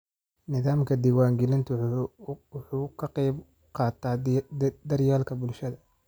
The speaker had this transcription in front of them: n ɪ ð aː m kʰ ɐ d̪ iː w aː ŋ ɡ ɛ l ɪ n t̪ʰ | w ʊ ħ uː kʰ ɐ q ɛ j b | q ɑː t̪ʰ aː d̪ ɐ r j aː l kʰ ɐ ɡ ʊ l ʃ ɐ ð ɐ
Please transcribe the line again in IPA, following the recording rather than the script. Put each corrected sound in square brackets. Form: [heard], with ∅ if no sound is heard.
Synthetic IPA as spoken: n ɪ ð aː m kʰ ɐ d̪ iː w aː ŋ ɡ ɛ l ɪ n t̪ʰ | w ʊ ħ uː kʰ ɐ q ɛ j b | q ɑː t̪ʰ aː d̪ ɐ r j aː l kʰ ɐ [b] ʊ l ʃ ɐ ð ɐ